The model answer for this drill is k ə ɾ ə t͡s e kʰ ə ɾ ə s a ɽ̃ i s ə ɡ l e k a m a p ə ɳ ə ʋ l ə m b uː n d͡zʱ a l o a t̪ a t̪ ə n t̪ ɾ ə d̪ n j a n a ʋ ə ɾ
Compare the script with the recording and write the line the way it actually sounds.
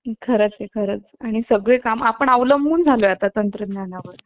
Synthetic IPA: kʰ ə ɾ ə t͡s e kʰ ə ɾ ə t͡s a ɽ̃ i s ə ɡ ɭ e k a m a p ə ɳ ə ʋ l ə m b uː n d͡zʱ a l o a t̪ a t̪ ə n t̪ ɾ ə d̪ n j a n a ʋ ə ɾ